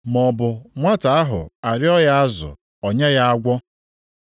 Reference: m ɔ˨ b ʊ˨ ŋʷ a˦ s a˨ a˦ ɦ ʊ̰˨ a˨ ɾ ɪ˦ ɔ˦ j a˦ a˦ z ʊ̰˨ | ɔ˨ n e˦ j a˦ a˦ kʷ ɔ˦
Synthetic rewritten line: m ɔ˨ b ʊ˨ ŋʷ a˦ t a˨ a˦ ɦ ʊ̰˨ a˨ ɾ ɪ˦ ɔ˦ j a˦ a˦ z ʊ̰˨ | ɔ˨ ɲ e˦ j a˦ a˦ ɡʷ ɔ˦

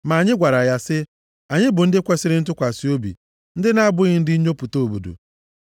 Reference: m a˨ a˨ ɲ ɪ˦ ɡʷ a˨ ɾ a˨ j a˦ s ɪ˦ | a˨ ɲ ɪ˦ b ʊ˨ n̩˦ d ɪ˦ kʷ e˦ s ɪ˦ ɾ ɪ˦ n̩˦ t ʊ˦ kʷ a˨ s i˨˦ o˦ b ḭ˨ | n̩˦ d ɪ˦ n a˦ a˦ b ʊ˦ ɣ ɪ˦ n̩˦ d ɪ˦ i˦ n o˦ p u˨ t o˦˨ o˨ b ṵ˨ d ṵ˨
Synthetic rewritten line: m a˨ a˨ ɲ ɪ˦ ɡʷ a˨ ɾ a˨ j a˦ s ɪ˦ | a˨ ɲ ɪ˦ b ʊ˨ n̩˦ d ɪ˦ kʷ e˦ s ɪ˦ ɾ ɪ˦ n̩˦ t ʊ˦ kʷ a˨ s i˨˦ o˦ b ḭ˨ | n̩˦ d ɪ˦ n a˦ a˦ b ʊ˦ ɣ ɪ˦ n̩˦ d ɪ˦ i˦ ɲ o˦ p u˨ t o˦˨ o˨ b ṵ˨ d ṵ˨

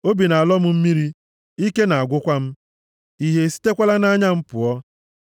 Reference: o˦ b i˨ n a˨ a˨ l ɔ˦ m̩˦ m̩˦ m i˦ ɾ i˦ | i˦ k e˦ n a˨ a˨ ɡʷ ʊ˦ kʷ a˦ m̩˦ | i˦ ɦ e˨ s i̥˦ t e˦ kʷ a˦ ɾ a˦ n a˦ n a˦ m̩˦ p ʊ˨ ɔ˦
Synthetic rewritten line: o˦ b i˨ n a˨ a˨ l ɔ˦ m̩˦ m̩˦ m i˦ ɾ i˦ | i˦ k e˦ n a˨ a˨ ɡʷ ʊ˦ kʷ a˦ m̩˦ | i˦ ɦ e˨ s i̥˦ t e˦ kʷ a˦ l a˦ n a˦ ɲ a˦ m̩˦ p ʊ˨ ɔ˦

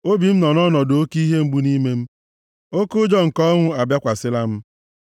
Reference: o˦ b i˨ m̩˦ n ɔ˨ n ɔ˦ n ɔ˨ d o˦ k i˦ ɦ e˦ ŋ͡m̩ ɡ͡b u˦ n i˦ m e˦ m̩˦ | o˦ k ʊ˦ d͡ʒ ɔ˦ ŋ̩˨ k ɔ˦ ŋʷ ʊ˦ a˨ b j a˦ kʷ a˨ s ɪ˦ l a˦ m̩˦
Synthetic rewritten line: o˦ b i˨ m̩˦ n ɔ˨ n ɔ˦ n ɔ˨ d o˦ k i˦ ɦ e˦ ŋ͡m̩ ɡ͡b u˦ n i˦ m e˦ m̩˦ | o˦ k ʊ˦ d͡ʒ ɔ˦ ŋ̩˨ k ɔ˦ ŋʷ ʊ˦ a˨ b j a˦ kʷ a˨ s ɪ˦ l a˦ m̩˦

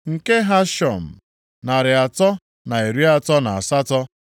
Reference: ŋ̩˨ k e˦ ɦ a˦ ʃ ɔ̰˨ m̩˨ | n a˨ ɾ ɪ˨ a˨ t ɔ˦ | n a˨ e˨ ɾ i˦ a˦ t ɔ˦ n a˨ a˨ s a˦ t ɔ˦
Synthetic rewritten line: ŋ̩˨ k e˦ ɦ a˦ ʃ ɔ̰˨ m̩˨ | n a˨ ɾ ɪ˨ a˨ t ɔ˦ | n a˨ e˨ ɾ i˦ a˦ t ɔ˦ n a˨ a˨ s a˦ t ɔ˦

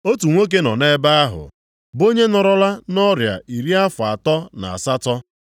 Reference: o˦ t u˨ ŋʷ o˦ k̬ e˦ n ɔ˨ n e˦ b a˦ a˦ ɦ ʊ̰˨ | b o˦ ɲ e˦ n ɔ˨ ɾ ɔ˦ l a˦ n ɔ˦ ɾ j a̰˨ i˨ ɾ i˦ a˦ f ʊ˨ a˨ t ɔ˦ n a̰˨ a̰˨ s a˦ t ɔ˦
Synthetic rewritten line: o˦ t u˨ ŋʷ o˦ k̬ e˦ n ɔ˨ n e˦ b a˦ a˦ ɦ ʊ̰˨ | b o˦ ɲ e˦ n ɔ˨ ɾ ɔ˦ l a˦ n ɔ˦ ɾ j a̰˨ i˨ ɾ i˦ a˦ f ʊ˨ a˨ t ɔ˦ n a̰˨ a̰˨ s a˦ t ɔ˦

